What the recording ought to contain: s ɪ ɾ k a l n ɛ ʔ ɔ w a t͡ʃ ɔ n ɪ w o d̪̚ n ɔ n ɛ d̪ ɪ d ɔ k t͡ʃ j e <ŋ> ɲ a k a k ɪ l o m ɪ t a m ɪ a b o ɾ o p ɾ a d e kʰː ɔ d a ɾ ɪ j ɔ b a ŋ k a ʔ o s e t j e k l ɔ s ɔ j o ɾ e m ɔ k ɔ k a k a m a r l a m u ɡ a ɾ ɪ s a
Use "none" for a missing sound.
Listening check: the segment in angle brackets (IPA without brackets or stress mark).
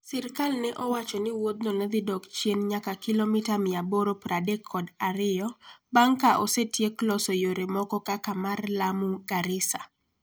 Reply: n